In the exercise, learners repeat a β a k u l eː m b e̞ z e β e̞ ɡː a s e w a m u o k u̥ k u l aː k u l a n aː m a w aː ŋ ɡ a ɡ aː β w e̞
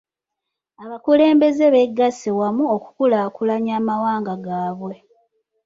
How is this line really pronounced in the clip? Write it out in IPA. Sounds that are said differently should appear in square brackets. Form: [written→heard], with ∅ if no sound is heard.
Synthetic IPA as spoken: a β a k u l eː m b e̞ z e β e̞ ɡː a s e w a m u o k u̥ k u l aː k u l a [n→ɲ] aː m a w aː ŋ ɡ a ɡ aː β w e̞